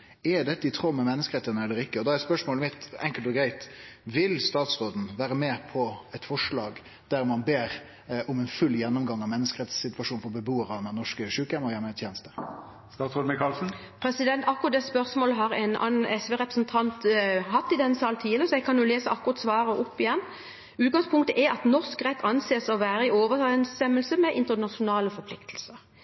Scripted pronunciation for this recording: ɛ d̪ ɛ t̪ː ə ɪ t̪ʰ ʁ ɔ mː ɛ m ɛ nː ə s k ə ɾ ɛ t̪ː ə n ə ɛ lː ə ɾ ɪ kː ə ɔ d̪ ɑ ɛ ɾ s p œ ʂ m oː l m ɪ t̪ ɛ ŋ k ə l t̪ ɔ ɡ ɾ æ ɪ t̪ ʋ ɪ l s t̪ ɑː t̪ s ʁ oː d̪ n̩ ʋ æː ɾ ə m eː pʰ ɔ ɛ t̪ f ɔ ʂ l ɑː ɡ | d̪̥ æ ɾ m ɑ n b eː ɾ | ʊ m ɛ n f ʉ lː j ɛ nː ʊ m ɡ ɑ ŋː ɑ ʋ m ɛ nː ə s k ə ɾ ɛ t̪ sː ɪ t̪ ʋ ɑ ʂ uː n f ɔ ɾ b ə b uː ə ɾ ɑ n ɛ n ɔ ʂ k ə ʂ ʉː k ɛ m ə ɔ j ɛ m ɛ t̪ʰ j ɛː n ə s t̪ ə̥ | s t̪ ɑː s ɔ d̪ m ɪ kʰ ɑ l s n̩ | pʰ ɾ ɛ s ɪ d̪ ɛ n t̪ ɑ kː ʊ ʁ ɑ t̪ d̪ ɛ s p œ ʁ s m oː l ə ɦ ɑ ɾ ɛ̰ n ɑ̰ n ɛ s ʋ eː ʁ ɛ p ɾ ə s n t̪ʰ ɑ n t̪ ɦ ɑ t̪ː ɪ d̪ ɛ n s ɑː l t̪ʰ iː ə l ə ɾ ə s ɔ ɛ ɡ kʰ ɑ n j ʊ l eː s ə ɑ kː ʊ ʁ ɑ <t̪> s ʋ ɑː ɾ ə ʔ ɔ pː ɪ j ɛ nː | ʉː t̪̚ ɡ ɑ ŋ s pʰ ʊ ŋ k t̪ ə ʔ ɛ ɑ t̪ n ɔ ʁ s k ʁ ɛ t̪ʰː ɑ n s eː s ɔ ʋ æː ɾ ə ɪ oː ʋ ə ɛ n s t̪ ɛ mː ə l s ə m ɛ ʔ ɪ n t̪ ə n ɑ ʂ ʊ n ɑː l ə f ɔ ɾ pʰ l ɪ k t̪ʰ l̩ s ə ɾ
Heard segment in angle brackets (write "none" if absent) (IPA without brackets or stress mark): t̪